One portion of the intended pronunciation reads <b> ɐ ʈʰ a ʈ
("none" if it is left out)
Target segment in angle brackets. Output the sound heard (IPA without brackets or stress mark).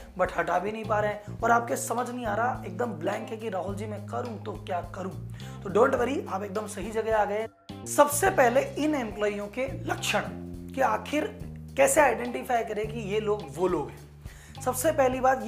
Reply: b